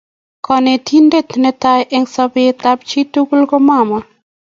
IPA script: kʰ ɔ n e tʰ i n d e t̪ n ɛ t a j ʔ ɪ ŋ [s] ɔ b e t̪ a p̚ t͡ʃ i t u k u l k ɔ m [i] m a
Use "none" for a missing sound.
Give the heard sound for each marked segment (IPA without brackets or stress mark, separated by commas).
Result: s, a